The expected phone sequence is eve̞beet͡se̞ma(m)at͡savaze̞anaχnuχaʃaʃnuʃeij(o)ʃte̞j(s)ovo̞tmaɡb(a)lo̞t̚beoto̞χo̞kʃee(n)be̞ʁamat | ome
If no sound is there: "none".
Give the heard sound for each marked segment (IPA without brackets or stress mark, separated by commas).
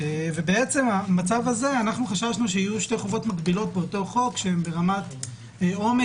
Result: m, u, χ, i, m